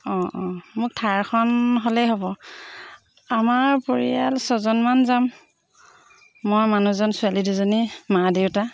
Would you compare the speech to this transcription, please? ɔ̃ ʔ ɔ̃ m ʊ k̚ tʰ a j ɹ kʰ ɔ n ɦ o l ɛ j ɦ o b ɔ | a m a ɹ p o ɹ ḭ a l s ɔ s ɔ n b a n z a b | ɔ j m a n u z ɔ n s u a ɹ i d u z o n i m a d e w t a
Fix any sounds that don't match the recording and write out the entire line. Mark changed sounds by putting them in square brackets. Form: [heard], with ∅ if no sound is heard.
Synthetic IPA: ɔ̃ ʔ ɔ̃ m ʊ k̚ tʰ a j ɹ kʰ ɔ n ɦ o l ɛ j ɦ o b ɔ | a m a ɹ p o ɹ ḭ a l s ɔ [z] ɔ n [m] a n z a [m] | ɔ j m a n u z ɔ n s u a [l] i d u z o n i m a d e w t a